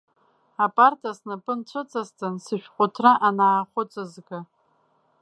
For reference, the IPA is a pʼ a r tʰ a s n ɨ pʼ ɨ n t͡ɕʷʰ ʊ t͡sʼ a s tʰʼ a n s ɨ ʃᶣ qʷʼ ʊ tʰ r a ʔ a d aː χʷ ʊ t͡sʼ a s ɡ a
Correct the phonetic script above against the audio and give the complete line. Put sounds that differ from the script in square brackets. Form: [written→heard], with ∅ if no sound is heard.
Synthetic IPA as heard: a pʼ a r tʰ a s n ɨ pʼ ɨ n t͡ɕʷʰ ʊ t͡sʼ a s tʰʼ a n s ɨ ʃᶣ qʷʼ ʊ tʰ r a ʔ a [d→n] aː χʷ ʊ t͡sʼ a [s→z] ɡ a